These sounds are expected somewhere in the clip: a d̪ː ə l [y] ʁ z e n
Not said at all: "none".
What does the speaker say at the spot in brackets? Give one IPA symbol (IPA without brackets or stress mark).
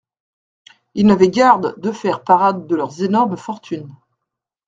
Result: œ